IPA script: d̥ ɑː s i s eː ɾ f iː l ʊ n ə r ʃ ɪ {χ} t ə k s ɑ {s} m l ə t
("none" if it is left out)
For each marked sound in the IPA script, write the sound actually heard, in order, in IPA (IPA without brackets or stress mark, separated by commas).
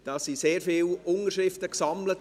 f, none